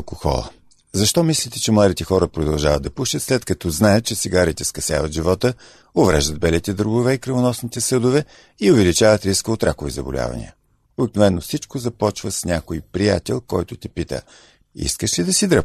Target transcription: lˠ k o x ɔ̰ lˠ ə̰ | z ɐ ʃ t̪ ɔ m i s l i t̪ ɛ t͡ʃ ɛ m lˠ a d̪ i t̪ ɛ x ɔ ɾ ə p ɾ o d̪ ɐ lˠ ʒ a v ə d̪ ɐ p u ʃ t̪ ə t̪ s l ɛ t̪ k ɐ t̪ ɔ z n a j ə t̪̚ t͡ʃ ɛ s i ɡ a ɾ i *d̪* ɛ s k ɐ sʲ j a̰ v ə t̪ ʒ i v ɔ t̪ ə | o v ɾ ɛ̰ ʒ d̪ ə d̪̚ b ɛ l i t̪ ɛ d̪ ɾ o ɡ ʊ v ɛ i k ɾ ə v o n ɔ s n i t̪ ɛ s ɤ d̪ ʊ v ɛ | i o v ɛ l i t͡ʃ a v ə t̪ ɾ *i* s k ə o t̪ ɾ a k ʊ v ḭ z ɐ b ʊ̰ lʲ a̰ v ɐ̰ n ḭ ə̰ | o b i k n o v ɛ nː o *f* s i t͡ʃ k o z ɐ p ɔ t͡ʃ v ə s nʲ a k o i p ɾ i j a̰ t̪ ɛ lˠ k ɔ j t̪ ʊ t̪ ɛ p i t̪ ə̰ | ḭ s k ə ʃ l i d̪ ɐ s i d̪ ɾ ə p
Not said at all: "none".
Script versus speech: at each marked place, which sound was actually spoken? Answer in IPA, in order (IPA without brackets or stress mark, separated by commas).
t̪, i, f